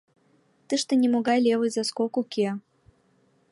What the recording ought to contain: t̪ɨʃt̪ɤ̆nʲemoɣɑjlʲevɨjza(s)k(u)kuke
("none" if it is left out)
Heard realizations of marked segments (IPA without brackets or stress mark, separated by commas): s, o